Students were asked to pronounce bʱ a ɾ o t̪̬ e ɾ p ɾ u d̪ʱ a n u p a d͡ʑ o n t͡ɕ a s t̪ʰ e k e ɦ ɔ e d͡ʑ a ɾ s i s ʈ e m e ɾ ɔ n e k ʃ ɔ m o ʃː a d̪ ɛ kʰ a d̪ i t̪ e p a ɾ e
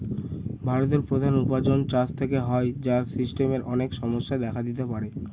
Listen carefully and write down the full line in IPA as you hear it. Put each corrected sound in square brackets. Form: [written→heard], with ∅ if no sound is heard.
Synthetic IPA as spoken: bʱ a ɾ o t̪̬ e ɾ p ɾ [u→o] d̪ʱ a n u p a d͡ʑ o n t͡ɕ a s t̪ʰ e k e ɦ ɔ e d͡ʑ a ɾ s i s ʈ e m e ɾ ɔ n e k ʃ ɔ m o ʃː a d̪ ɛ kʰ a d̪ i t̪ e p a ɾ e